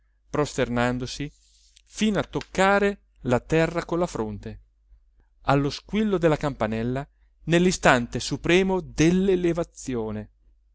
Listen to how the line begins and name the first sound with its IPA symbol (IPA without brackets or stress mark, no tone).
p